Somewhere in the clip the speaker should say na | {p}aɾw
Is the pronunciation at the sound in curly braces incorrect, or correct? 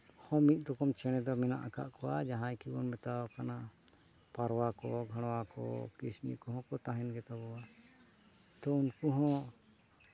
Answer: correct